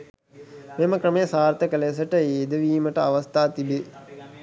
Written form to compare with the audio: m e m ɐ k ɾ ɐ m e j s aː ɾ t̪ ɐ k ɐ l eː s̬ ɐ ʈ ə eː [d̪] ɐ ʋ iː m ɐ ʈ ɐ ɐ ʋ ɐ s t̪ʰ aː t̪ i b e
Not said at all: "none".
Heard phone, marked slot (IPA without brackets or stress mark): d̪